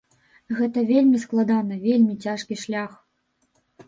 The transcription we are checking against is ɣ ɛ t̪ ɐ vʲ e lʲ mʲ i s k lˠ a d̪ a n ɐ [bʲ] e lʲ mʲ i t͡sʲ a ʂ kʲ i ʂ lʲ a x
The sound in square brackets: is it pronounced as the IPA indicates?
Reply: no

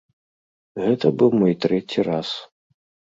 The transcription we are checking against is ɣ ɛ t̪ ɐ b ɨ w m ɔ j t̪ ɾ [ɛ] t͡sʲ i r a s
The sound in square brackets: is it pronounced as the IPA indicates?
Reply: yes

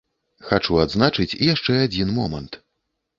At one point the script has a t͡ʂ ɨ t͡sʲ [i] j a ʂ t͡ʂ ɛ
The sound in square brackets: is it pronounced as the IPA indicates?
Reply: yes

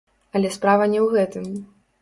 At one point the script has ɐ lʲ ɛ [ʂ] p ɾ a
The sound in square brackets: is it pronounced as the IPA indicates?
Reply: no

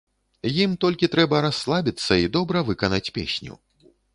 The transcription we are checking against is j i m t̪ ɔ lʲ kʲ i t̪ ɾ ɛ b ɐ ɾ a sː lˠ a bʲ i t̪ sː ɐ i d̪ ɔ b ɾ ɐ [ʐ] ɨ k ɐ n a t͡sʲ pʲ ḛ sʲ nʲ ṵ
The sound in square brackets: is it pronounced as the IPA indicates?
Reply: no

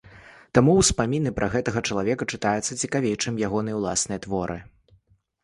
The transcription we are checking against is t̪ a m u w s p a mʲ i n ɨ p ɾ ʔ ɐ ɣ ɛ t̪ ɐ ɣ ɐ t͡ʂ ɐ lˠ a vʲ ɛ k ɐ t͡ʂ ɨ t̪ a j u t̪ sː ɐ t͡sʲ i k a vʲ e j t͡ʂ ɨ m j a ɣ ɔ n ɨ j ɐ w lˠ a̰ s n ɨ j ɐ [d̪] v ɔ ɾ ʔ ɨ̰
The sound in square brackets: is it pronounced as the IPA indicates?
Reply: no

